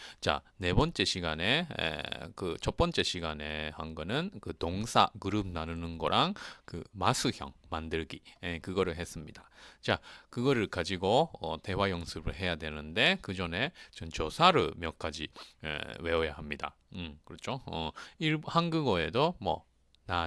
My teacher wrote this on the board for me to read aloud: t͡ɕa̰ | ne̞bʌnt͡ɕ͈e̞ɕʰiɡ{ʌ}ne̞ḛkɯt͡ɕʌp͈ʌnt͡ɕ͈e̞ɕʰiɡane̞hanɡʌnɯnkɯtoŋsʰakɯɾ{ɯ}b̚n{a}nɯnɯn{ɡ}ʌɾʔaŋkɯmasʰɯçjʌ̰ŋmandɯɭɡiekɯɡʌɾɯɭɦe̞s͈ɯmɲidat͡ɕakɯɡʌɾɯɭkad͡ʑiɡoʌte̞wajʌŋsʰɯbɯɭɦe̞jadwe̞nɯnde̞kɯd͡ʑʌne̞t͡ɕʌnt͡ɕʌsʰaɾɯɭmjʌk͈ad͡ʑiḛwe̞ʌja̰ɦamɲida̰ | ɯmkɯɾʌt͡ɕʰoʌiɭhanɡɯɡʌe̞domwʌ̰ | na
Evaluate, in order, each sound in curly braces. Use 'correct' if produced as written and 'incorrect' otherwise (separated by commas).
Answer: incorrect, correct, correct, correct